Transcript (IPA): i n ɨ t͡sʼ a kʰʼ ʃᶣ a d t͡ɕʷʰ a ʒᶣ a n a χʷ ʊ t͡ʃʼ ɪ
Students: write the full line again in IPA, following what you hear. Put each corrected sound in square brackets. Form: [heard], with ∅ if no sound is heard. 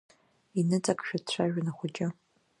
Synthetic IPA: i n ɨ t͡sʼ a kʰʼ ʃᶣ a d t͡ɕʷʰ a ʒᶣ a n a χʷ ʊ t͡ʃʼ ɪ